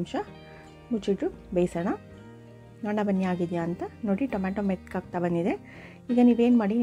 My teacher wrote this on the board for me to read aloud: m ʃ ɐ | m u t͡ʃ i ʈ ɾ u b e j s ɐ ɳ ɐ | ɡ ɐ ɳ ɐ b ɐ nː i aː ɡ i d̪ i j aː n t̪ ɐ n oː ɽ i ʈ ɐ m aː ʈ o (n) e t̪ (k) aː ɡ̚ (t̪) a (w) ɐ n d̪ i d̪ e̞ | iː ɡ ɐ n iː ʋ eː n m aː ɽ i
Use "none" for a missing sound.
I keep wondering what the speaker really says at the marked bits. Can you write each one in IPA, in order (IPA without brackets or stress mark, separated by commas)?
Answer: m, k, t̪, b